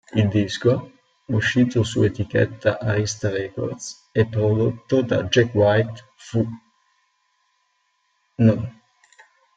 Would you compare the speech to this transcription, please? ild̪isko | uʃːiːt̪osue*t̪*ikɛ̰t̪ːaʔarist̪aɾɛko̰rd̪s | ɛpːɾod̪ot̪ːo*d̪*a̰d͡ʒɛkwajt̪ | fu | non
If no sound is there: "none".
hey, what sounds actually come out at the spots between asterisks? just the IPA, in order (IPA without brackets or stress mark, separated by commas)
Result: t̪, d̪